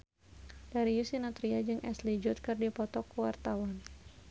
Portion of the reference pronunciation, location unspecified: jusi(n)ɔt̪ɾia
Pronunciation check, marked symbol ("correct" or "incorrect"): correct